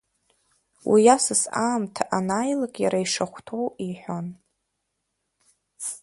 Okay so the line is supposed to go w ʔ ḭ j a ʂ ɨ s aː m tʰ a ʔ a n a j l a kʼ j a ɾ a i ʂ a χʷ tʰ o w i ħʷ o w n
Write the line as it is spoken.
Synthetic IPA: w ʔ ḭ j a s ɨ s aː m tʰ a ʔ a n a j l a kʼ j a ɾ a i ʂ a χʷ tʰ o w i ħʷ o n